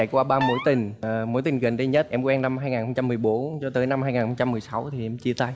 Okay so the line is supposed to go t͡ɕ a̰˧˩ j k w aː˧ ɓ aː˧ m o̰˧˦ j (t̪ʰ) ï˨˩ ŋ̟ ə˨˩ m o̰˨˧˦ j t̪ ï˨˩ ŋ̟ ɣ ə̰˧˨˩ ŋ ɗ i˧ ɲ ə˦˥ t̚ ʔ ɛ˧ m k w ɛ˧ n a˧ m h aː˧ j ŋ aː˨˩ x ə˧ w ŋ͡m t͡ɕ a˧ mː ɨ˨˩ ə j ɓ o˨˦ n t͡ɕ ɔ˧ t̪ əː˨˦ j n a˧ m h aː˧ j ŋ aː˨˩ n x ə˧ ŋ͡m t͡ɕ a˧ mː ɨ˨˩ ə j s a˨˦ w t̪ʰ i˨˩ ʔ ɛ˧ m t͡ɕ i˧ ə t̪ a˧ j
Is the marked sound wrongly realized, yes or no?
yes